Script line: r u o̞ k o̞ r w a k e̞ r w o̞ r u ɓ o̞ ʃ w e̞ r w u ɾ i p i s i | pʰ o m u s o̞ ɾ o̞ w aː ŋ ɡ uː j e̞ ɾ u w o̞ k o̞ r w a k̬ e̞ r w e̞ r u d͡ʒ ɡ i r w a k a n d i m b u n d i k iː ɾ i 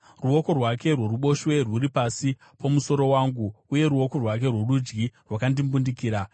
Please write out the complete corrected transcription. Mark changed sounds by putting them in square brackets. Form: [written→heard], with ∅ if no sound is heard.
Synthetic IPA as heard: r u o̞ k o̞ r w a k e̞ r w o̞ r u ɓ o̞ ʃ w e̞ r w u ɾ i p [i→a] s i | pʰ o m u s o̞ ɾ o̞ w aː ŋ ɡ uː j e̞ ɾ u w o̞ k o̞ r w a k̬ e̞ r w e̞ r u d͡ʒ ɡ i r w a k a n d i m b u n d i k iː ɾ [i→a]